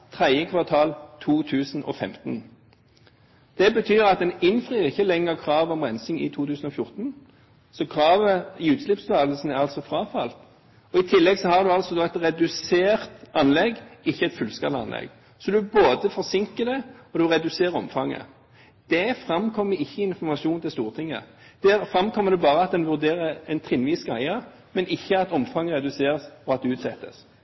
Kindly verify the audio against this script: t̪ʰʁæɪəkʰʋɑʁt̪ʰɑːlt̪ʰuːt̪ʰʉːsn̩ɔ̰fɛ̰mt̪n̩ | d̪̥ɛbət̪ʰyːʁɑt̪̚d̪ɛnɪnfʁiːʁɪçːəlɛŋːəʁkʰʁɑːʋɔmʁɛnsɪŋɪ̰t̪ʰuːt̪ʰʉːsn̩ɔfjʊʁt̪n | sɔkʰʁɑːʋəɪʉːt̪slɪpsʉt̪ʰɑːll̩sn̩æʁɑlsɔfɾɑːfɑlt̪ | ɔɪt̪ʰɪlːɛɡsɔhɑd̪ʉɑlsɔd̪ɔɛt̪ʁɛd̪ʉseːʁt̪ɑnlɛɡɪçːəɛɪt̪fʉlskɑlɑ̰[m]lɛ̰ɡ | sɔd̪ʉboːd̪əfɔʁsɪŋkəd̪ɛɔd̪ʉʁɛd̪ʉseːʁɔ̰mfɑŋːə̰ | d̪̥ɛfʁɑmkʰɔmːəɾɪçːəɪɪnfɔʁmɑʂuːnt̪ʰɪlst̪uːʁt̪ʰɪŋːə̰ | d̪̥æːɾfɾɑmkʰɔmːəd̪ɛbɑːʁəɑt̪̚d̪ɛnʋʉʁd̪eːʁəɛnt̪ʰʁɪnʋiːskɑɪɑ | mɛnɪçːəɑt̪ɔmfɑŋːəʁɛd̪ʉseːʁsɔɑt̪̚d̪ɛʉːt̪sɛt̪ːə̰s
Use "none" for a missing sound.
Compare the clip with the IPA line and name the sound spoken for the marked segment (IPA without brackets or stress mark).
n